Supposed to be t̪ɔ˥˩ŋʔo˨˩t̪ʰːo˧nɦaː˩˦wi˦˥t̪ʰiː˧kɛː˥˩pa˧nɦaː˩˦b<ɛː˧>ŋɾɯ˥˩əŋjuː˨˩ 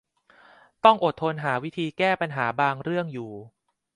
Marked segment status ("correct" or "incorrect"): incorrect